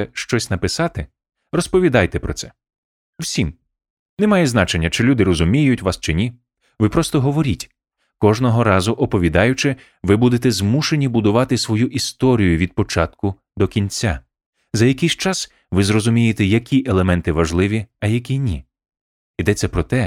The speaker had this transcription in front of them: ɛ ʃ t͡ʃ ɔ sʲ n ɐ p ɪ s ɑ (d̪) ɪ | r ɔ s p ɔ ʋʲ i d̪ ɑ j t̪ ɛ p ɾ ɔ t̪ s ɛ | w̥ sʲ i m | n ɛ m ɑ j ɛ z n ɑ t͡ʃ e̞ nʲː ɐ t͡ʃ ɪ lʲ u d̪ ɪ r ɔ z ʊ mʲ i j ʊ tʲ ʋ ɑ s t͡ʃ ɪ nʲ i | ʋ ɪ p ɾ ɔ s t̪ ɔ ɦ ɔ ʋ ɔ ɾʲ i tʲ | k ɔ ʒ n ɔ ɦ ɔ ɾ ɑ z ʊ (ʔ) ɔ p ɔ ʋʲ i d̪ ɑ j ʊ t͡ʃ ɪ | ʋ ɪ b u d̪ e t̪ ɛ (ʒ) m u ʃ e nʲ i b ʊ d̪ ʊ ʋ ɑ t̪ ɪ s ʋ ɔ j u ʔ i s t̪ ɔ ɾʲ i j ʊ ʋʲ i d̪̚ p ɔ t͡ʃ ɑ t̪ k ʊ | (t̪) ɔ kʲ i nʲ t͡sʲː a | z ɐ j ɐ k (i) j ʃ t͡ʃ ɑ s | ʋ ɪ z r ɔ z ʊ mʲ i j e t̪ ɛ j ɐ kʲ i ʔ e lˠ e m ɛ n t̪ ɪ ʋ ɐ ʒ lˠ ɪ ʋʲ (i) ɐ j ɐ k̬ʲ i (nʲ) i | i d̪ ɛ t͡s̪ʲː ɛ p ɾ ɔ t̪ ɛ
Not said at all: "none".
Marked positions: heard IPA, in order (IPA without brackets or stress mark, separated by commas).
t̪, ʔ, z, d̪, ɪ, i, nʲ